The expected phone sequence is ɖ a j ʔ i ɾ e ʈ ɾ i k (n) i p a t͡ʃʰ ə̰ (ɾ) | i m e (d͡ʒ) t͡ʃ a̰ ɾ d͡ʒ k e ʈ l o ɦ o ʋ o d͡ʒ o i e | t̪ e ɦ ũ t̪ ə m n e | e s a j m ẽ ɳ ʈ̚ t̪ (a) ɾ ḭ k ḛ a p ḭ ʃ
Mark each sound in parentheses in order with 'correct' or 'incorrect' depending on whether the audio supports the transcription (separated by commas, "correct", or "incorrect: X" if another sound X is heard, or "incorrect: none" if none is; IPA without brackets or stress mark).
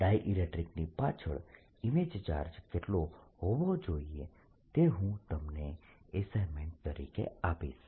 correct, incorrect: ɭ, correct, incorrect: ə